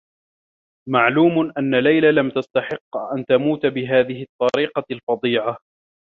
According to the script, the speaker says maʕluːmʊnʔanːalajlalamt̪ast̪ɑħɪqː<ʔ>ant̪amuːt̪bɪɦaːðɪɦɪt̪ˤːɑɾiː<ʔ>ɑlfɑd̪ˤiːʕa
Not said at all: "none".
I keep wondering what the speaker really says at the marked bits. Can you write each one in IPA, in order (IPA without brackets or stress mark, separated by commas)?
ʔ, q